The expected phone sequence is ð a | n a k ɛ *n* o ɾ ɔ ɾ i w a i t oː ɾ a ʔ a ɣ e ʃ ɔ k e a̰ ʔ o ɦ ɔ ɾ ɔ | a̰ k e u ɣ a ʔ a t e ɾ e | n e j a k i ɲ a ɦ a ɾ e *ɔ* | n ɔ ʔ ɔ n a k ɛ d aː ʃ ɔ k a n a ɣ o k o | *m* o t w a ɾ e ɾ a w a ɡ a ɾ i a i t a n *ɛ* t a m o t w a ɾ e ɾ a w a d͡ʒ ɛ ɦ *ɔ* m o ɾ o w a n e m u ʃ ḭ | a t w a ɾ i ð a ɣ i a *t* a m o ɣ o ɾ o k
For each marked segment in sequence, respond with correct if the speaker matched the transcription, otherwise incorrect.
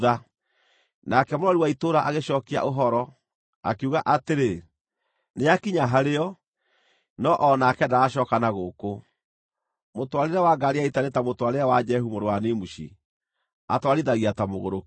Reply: incorrect: m, correct, correct, incorrect: e, incorrect: u, correct

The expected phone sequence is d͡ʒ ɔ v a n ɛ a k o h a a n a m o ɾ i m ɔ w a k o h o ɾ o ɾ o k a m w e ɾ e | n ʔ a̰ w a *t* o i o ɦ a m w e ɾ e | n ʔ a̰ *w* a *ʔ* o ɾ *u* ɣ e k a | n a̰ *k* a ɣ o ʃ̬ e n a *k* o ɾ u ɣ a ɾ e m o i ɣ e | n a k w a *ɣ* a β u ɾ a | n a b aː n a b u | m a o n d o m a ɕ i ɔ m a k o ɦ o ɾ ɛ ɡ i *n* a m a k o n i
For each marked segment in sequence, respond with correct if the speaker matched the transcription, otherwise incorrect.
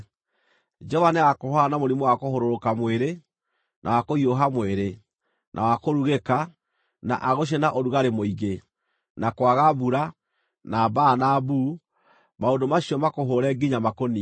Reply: incorrect: k, correct, incorrect: k, correct, incorrect: ʔ, incorrect: ʔ, correct, incorrect: ɲ

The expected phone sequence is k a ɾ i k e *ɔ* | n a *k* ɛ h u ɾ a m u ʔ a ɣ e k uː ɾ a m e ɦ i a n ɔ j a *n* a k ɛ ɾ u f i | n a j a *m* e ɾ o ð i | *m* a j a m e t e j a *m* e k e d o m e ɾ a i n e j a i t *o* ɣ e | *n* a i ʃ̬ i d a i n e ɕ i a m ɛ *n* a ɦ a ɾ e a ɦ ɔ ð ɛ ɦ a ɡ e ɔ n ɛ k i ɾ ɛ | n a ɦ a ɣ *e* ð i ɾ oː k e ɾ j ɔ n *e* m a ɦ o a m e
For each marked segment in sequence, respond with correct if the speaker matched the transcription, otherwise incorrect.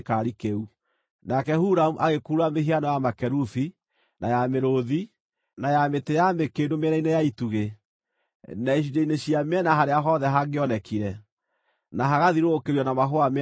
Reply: incorrect: u, correct, incorrect: m, correct, incorrect: n, correct, incorrect: u, correct, correct, incorrect: a, incorrect: a

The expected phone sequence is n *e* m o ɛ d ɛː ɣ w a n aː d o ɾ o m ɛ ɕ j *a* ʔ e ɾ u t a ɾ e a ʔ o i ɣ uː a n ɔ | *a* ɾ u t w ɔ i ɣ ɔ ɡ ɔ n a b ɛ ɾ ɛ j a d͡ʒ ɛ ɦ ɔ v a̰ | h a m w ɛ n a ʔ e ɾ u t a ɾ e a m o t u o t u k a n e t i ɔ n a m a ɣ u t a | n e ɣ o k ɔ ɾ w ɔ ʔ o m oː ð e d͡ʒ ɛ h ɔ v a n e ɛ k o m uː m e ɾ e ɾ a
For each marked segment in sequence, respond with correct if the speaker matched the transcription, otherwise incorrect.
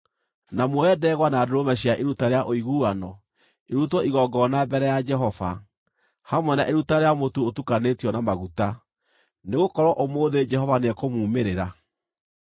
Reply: incorrect: a, correct, incorrect: e

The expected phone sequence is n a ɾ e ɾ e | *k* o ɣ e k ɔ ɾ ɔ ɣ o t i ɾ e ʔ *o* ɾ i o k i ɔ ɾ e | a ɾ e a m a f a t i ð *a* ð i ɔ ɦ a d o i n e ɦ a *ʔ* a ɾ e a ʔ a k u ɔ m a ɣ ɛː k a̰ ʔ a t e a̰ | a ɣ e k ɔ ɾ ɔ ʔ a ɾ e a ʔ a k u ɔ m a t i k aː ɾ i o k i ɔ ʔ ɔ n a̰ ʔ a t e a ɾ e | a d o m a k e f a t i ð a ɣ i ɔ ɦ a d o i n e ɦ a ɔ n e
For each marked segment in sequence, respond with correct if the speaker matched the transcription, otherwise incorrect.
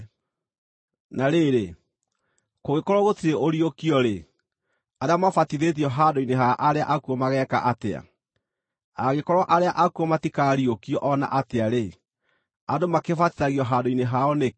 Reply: correct, correct, incorrect: e, correct

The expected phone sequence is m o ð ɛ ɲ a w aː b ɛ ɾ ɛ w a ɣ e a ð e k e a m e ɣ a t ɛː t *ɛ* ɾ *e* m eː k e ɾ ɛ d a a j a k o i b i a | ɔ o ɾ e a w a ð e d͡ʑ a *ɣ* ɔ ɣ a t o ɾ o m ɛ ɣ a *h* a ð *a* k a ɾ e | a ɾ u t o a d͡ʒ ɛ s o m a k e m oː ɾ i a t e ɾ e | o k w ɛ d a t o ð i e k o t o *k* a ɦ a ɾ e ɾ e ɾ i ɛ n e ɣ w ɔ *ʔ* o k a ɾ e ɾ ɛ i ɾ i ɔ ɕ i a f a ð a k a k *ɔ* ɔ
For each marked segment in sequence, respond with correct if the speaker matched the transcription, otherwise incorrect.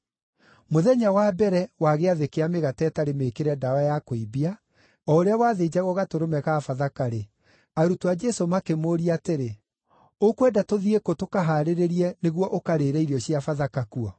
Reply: incorrect: a, correct, correct, incorrect: f, correct, correct, correct, incorrect: u

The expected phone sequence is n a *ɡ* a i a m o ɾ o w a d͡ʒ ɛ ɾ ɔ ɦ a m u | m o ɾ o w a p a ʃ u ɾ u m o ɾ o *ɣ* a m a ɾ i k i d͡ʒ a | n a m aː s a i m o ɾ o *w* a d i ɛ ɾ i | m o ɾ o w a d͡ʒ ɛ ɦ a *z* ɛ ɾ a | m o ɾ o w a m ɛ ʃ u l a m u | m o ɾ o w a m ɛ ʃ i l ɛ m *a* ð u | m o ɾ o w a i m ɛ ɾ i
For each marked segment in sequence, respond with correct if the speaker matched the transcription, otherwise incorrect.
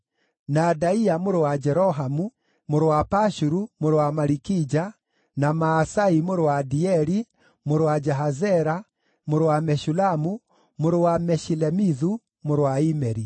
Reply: incorrect: d, incorrect: w, correct, correct, incorrect: i

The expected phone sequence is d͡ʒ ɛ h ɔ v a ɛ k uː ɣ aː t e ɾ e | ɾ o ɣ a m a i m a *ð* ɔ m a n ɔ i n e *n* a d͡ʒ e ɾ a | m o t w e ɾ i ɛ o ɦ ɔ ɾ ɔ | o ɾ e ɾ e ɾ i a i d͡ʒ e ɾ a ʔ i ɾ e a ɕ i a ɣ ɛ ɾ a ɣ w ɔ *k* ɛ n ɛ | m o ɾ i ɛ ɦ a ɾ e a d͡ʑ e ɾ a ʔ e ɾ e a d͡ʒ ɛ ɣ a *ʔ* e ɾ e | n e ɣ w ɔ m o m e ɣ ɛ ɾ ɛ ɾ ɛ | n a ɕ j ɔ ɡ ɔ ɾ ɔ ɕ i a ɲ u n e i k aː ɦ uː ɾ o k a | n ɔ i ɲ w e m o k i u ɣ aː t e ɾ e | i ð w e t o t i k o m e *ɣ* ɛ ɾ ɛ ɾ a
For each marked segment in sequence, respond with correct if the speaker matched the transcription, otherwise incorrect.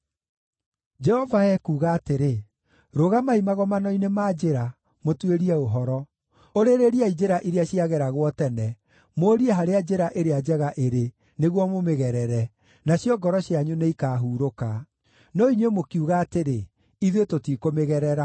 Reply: incorrect: ɣ, incorrect: m, incorrect: t, correct, correct

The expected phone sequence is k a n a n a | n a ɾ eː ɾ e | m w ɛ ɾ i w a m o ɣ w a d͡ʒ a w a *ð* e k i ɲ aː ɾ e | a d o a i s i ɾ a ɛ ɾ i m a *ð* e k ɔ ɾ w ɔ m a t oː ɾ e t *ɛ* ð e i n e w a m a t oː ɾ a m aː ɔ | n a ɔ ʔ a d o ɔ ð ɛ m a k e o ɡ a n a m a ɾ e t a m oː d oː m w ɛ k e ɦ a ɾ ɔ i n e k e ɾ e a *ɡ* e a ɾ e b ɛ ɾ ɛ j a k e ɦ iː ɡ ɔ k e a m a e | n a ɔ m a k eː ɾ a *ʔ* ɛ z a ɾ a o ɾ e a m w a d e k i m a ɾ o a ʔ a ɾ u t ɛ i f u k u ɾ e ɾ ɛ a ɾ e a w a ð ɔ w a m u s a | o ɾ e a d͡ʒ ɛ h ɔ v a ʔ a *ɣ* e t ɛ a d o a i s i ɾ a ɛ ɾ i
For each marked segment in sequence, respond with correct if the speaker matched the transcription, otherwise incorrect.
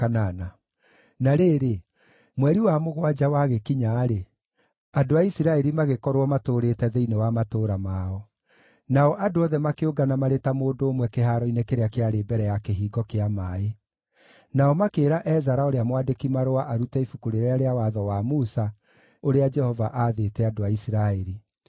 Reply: incorrect: ɣ, incorrect: ɣ, correct, incorrect: k, correct, incorrect: ð

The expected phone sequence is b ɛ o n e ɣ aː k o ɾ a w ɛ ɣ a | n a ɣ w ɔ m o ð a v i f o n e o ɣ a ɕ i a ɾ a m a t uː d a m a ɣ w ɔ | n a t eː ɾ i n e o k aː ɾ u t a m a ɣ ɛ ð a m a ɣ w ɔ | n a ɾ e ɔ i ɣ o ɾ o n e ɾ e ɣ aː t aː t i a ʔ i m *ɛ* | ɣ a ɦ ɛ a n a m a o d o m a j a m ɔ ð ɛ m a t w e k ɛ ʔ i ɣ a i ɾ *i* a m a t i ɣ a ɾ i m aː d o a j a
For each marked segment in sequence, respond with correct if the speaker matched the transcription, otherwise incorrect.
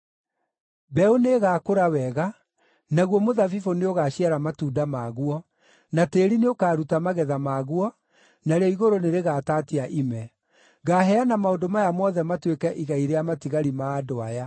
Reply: correct, incorrect: e

